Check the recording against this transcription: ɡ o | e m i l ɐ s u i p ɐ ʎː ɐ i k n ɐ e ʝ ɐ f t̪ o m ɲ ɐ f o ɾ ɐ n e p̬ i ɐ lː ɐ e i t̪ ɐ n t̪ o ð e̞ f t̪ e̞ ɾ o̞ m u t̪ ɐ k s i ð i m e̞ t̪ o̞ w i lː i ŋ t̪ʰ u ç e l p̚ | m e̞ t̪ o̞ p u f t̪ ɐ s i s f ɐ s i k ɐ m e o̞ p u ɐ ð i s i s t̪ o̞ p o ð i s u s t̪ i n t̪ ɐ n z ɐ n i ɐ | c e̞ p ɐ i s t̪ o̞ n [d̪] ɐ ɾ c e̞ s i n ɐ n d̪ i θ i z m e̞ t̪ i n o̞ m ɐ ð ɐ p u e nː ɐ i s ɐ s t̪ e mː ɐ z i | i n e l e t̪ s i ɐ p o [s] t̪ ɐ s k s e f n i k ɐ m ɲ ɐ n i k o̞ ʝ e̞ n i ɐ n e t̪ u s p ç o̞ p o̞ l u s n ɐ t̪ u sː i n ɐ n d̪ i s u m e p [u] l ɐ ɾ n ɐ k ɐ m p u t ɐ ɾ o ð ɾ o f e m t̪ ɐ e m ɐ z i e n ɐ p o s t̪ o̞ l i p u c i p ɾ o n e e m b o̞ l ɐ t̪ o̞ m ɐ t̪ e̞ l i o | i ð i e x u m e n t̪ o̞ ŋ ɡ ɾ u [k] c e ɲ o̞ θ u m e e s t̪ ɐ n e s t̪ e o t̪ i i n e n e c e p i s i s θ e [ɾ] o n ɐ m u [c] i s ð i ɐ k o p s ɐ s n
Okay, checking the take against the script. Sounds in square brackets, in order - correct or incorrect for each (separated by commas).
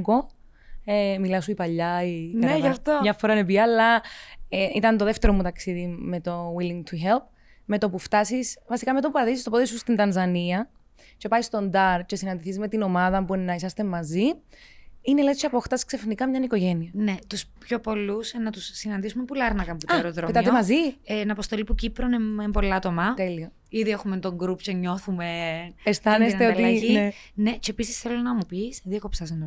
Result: correct, incorrect, correct, incorrect, incorrect, incorrect